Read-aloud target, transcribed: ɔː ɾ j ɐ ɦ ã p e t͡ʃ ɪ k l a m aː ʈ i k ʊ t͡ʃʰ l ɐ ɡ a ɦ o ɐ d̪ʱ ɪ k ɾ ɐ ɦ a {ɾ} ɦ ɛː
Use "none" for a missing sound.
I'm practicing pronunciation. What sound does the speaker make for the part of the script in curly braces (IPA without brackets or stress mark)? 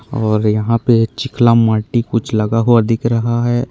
none